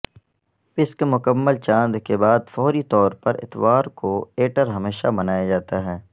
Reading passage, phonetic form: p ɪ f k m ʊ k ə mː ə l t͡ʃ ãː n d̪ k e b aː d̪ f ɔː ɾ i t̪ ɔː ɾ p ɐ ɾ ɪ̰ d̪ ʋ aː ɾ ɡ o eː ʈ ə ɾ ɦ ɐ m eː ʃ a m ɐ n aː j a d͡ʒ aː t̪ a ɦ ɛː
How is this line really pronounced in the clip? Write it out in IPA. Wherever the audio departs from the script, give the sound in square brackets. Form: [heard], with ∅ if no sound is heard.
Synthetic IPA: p ɪ [s] k m ʊ k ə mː ə l t͡ʃ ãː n d̪ k e b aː d̪ f ɔː ɾ i t̪ ɔː ɾ p ɐ ɾ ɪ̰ [t̪] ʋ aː ɾ [k] o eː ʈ ə ɾ ɦ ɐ m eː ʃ a m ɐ n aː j a d͡ʒ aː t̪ a ɦ ɛː